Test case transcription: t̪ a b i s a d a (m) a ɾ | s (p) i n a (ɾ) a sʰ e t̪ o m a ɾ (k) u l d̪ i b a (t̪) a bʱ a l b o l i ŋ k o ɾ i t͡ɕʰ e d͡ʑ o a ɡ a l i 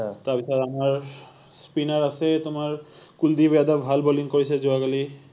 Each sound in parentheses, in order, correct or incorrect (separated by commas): correct, correct, correct, correct, incorrect